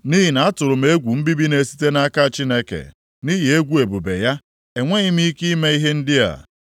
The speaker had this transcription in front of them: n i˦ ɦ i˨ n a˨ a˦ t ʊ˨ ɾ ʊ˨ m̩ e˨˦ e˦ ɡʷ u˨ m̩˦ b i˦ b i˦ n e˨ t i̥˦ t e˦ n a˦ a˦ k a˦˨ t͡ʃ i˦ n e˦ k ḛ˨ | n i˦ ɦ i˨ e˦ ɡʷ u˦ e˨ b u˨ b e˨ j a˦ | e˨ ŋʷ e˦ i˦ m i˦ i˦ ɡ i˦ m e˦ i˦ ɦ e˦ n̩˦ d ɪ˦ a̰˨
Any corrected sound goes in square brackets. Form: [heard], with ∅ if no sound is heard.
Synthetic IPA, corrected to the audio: n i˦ ɦ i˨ n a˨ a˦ t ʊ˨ ɾ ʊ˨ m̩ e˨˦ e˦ ɡʷ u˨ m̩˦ b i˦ b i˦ n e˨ [s] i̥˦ t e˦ n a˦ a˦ k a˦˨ t͡ʃ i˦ n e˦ k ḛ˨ | n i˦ ɦ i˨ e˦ ɡʷ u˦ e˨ b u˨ b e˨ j a˦ | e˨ ŋʷ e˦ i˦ m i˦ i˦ [k] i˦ m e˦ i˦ ɦ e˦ n̩˦ d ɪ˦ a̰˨